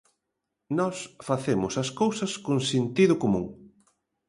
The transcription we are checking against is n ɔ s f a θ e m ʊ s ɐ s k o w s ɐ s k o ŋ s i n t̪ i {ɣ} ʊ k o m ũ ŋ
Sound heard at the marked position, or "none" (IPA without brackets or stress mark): ð